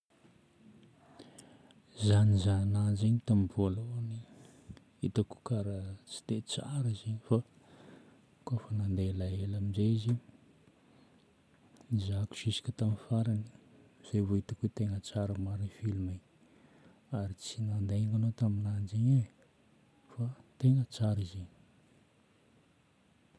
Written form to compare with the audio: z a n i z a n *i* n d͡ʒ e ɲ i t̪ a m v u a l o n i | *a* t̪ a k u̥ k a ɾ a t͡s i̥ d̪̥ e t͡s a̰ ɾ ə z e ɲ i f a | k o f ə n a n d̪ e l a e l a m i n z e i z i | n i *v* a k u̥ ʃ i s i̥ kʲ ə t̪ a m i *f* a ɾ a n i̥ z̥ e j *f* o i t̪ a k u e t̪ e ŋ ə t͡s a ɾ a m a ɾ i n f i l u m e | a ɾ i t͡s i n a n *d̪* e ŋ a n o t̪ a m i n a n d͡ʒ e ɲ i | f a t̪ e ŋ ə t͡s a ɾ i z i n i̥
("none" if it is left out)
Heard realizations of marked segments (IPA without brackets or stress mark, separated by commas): a, i, z, f, v, d̪